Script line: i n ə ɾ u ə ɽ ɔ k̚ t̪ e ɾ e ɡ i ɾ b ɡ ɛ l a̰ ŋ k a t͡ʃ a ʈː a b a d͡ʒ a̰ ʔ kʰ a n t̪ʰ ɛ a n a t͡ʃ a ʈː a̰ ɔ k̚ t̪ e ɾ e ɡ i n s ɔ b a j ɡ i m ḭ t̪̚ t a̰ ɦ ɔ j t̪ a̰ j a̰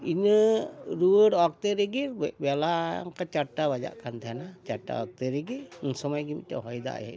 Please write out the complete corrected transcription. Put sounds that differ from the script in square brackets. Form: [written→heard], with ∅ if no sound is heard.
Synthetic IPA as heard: i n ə ɾ u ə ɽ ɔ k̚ t̪ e ɾ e ɡ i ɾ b [ɡ→b] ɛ l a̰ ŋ k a t͡ʃ a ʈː a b a d͡ʒ a̰ ʔ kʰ a n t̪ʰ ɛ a n a t͡ʃ a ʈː a̰ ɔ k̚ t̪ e ɾ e ɡ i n s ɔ [b→m] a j ɡ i m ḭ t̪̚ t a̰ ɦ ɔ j [t̪→d̪] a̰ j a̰